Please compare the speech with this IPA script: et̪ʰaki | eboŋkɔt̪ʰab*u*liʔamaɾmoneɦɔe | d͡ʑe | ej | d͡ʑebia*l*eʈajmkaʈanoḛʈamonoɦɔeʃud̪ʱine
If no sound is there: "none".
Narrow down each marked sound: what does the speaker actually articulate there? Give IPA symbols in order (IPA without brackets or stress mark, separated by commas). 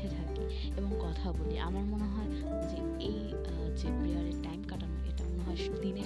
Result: o, ɾ